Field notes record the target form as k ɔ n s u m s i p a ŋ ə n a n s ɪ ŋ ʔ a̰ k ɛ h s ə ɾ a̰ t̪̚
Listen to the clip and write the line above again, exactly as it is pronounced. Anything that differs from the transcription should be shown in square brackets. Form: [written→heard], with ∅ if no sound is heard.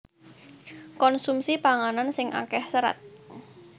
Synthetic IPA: k ɔ n s u m s i p a ŋ [ə→a] n a n s ɪ ŋ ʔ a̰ k ɛ h s ə ɾ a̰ t̪̚